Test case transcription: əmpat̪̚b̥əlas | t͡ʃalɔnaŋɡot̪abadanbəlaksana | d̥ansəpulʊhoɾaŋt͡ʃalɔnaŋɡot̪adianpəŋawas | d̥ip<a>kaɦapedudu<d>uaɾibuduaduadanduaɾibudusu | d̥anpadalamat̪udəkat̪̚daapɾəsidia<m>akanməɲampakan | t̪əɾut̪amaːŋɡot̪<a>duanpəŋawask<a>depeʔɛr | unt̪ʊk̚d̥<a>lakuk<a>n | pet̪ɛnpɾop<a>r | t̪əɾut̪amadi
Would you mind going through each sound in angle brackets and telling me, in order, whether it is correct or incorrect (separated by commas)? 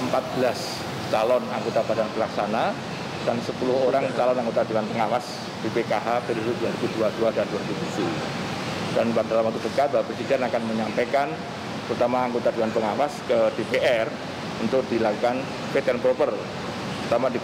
incorrect, correct, incorrect, correct, incorrect, incorrect, correct, incorrect